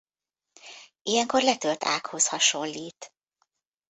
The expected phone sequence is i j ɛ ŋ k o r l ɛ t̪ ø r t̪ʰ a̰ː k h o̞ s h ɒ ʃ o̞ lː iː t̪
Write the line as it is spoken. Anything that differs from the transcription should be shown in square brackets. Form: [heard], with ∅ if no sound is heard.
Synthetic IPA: i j ɛ ŋ k o r l ɛ t̪ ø [l] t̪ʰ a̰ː k h o̞ s h ɒ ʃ o̞ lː iː t̪